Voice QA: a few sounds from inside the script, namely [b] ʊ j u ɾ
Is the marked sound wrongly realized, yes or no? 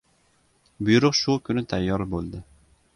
no